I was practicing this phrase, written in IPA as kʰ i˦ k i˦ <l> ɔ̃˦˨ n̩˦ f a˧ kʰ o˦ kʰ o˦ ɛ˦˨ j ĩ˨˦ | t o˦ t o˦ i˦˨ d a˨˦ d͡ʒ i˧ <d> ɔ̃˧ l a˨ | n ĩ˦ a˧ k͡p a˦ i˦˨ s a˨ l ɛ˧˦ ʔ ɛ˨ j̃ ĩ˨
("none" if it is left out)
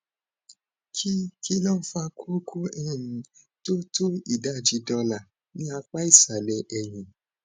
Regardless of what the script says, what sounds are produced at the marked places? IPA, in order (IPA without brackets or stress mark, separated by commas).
l, d